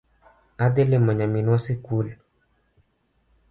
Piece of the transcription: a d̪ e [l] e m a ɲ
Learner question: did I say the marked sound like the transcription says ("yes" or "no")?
yes